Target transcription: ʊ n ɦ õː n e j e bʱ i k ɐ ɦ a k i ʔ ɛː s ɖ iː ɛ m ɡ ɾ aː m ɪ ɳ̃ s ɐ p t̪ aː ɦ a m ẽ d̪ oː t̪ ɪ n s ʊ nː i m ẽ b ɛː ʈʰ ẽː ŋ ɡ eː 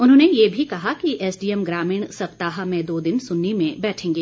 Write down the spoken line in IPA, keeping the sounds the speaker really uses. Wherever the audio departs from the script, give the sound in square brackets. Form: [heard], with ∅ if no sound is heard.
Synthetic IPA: ʊ n ɦ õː n e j e bʱ i k ɐ ɦ a k i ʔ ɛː s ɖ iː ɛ m ɡ ɾ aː m ɪ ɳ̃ s ɐ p t̪ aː ɦ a m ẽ d̪ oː [d̪] ɪ n s ʊ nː i m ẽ b ɛː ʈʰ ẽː ŋ ɡ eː